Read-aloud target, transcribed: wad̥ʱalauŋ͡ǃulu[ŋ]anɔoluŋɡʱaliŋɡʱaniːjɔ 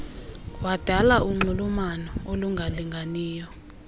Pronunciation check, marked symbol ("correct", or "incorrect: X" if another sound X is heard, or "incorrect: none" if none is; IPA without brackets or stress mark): incorrect: m